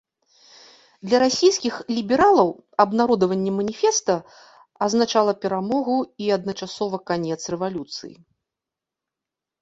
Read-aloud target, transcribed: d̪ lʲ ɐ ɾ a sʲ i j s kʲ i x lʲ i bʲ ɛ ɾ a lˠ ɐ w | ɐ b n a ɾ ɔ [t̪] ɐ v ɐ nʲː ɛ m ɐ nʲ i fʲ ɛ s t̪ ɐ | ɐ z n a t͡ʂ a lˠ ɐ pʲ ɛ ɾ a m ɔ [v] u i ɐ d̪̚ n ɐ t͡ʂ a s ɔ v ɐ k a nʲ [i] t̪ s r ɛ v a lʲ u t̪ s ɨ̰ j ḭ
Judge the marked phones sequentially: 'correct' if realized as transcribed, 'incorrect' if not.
incorrect: d̪, incorrect: ɣ, incorrect: ɛ

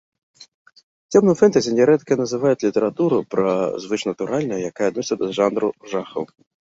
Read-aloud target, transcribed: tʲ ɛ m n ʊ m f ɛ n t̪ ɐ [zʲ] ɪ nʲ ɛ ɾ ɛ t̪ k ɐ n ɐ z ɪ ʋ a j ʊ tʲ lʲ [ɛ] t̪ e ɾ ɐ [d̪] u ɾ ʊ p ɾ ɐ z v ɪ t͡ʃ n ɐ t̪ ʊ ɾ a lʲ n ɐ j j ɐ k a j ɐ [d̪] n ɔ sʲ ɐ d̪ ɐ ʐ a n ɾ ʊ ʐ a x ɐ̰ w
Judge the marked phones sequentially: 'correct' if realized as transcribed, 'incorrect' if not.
correct, incorrect: i, incorrect: t̪, correct

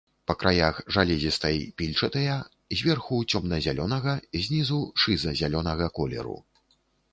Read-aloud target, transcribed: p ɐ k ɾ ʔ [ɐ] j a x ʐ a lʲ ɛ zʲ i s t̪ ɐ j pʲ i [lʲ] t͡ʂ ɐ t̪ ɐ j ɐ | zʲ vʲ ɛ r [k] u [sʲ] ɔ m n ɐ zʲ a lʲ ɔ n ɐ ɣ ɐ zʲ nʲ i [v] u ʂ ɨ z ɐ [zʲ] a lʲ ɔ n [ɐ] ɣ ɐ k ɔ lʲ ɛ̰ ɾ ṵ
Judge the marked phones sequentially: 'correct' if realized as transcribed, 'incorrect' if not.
incorrect: a, correct, incorrect: x, incorrect: t͡sʲ, incorrect: z, correct, correct

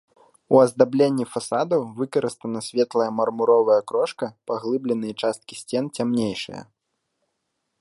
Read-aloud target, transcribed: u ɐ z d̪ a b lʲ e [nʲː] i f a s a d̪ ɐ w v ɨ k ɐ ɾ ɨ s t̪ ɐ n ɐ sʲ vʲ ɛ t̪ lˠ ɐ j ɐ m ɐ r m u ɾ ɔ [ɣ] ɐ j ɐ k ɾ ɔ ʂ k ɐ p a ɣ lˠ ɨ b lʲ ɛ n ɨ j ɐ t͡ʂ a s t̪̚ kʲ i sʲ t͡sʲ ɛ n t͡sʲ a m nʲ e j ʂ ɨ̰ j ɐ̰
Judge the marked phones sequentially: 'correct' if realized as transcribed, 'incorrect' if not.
correct, incorrect: v

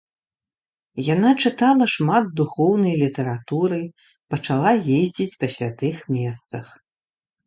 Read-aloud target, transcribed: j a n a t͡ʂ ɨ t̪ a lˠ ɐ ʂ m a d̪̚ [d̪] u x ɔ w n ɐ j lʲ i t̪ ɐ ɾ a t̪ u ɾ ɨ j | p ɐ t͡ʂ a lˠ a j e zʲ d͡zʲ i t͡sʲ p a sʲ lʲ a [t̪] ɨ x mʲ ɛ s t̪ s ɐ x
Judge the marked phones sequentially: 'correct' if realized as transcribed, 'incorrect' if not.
correct, correct

